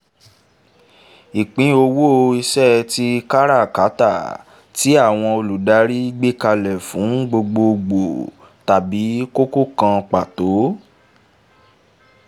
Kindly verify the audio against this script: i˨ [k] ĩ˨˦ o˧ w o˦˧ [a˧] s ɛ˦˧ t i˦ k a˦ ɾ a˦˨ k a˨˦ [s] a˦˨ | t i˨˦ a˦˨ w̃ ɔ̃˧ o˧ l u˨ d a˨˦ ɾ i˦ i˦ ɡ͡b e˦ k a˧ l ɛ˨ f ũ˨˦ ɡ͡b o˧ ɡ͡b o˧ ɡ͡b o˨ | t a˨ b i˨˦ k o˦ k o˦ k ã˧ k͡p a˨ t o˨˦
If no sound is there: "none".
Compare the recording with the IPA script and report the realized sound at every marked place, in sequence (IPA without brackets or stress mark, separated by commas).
k͡p, i˧, t